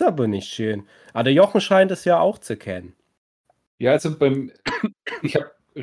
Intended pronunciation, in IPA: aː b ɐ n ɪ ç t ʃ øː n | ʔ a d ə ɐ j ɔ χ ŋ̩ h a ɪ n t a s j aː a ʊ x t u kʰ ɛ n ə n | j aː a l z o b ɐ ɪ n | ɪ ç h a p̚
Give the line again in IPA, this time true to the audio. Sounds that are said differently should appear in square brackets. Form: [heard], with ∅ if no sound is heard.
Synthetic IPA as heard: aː b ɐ n ɪ ç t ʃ øː n | ʔ a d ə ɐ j ɔ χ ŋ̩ [ʃ] a ɪ n t [ɛ] s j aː a ʊ x [t͡s] u kʰ ɛ n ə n | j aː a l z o b [a] ɪ [m] | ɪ ç h a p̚